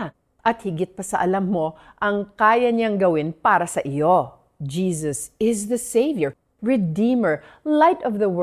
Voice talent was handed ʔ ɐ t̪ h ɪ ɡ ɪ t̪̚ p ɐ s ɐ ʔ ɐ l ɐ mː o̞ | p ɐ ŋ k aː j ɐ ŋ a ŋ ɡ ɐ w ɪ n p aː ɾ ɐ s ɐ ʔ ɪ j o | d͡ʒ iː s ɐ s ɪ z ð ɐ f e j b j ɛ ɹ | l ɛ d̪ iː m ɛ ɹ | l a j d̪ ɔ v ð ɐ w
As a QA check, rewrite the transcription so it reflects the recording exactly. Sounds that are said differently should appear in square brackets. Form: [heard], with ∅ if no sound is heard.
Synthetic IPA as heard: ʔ ɐ t̪ h ɪ ɡ ɪ t̪̚ p ɐ s ɐ ʔ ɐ l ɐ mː o̞ | [ʔ] ɐ ŋ k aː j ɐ [ɲ] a ŋ ɡ ɐ w ɪ n p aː ɾ ɐ s ɐ ʔ ɪ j o | d͡ʒ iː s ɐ s ɪ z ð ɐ [s] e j [v] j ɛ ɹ | [ɹ] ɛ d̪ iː m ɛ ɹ | l a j [t̪] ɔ v ð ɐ w